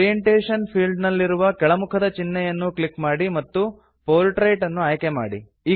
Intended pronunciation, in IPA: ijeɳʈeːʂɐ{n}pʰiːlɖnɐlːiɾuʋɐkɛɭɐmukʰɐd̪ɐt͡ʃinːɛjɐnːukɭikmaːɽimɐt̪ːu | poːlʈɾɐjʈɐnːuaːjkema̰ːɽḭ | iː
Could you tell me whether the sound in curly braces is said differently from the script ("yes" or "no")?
no